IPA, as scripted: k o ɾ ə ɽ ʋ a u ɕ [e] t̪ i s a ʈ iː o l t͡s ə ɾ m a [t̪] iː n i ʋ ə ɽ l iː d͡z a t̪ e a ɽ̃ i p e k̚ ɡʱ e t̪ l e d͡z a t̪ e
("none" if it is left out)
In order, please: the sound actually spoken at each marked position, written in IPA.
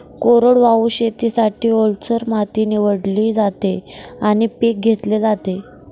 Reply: e, t̪

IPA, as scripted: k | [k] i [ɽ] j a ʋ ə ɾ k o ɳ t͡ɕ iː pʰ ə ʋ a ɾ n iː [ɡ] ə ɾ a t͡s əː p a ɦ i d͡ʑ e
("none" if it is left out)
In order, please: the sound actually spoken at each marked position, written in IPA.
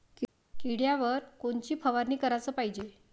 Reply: k, ɽ, k

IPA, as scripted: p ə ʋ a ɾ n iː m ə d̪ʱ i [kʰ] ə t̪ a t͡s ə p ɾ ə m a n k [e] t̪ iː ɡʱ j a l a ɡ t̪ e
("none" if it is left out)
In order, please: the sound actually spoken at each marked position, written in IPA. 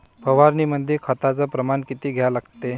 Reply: kʰ, i

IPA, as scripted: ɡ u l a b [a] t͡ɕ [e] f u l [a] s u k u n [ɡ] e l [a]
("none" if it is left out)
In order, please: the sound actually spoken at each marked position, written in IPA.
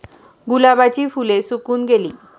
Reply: a, i, e, ɡ, i

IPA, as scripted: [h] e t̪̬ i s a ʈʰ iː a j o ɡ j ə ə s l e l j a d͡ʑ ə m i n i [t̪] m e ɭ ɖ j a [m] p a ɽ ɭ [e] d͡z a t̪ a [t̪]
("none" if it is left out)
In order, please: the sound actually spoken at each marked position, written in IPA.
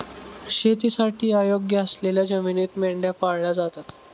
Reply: ɕ, t̪, none, a, t̪

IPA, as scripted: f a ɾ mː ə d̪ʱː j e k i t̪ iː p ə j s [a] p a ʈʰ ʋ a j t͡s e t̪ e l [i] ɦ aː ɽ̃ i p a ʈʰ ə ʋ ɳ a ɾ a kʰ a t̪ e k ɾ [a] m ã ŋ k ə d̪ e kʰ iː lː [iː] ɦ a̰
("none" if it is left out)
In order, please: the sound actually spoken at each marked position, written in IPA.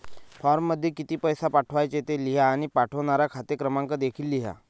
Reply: a, i, ə, i

